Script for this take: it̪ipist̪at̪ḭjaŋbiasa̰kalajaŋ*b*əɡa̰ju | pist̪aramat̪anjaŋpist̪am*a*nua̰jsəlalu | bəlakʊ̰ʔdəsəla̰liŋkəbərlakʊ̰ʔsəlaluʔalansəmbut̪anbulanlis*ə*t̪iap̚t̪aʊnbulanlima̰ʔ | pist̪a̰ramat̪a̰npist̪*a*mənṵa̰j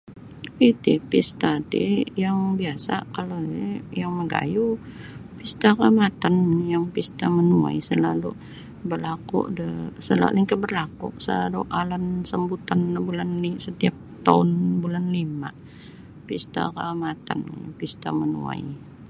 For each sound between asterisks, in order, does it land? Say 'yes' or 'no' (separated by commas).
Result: no, no, yes, yes